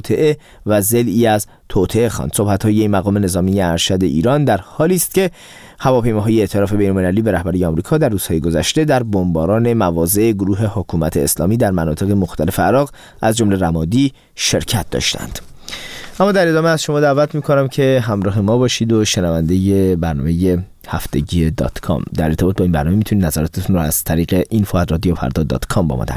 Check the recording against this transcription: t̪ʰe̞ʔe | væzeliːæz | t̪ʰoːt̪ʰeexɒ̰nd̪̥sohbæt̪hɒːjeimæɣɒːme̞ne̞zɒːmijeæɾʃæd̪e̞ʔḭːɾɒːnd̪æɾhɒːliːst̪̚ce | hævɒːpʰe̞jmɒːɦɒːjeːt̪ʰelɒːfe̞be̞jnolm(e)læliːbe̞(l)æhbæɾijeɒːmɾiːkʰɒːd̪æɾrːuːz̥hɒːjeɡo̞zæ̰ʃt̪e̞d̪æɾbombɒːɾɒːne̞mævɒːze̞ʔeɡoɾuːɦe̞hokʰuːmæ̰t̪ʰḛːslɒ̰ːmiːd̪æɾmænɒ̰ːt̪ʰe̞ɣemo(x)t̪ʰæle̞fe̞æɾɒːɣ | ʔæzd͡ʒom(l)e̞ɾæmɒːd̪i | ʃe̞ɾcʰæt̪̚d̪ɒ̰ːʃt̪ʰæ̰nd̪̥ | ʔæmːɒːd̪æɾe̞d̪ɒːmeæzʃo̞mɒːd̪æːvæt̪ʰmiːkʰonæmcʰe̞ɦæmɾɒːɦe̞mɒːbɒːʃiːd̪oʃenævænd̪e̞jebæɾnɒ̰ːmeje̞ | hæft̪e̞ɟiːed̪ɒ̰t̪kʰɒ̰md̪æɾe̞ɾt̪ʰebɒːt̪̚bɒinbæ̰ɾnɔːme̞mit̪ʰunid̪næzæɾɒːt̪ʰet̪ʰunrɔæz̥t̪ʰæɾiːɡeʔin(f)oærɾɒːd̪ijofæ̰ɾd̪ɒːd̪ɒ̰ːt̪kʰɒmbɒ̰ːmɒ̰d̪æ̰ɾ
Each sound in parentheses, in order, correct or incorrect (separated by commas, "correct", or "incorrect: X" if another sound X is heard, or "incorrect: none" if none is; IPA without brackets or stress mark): correct, incorrect: ɾ, correct, correct, correct